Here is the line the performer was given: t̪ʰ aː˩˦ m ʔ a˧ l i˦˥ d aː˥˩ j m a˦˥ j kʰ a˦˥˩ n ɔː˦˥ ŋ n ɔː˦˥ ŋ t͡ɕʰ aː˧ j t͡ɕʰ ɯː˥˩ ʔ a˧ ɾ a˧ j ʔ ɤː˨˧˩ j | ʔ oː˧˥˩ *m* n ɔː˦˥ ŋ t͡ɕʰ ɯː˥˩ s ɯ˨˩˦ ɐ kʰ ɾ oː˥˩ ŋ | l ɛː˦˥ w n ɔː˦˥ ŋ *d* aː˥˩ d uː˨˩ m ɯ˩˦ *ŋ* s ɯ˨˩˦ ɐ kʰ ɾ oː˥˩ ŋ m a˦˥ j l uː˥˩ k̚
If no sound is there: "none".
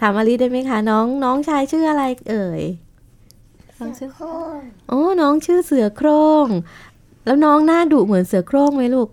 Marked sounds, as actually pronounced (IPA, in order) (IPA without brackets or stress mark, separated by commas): none, n, n